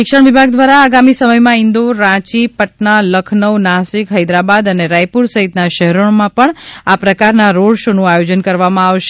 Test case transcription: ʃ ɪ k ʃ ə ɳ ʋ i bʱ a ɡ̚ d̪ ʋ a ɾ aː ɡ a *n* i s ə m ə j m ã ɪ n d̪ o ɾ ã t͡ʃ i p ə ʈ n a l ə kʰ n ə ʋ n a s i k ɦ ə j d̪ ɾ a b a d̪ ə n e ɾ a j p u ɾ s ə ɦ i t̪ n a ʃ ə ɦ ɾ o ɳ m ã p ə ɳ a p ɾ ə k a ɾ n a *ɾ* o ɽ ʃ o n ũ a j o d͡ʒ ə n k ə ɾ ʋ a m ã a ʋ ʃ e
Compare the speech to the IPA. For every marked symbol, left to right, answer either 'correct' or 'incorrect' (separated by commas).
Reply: incorrect, correct